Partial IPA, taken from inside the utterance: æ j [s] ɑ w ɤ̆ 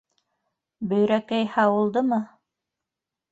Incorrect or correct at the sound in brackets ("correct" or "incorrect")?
incorrect